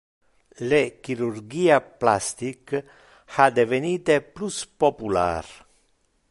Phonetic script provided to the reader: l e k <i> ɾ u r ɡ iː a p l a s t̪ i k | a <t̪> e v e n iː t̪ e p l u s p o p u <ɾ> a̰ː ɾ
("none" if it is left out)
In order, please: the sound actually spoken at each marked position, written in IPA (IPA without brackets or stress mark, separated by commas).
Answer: i, d̪, l